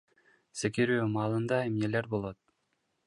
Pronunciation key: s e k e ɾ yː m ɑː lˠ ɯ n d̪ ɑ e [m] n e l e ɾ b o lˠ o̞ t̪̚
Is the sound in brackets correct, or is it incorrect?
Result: correct